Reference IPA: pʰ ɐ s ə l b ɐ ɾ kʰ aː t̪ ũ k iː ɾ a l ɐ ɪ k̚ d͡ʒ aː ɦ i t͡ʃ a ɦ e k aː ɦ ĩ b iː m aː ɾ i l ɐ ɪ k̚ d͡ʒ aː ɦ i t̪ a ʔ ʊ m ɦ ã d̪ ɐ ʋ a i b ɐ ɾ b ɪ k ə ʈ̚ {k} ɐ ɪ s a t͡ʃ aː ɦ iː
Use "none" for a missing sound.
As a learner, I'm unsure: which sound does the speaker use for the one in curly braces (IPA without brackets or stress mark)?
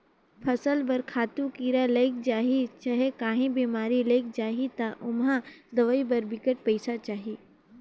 p